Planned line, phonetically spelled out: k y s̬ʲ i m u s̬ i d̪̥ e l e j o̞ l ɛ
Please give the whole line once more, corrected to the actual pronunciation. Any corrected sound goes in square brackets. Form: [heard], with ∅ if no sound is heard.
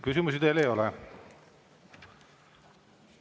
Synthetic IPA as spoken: k y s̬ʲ i m u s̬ i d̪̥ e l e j o̞ l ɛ